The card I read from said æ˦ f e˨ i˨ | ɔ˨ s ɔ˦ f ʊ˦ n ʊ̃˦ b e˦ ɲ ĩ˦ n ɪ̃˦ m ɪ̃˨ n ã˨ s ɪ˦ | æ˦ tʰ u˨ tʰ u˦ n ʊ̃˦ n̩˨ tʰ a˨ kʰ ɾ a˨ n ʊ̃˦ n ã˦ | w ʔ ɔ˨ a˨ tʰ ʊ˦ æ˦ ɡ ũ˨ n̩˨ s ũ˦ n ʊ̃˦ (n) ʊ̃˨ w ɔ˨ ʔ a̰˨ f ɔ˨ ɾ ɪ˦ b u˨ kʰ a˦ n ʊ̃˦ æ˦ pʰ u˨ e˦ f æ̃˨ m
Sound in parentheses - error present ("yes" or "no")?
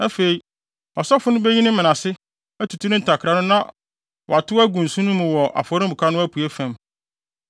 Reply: yes